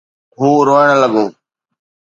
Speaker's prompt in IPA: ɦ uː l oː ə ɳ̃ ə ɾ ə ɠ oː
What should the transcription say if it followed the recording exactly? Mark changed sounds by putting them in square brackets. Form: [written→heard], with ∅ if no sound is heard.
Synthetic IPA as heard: ɦ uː [l→ɾ] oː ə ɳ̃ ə [ɾ→l] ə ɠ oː